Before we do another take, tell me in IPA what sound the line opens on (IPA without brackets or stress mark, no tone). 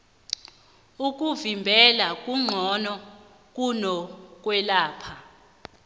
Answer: u